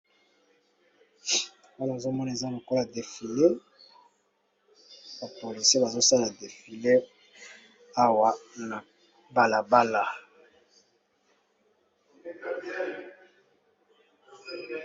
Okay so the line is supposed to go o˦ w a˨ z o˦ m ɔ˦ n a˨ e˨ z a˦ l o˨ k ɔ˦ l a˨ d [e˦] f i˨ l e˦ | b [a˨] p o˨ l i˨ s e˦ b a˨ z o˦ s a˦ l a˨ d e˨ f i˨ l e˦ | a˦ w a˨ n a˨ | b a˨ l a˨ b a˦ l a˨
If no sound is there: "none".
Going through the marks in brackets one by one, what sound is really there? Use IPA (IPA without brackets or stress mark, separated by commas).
e˨, a˨